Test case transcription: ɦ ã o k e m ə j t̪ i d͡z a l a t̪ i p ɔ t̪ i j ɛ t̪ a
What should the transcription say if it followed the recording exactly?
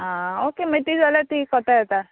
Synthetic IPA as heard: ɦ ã o k e m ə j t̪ i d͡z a l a t̪ i k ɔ t̪ a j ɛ t̪ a